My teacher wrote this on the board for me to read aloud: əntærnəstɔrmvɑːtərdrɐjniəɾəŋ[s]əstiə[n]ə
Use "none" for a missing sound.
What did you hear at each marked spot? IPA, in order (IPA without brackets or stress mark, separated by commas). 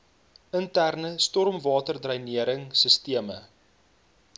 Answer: s, m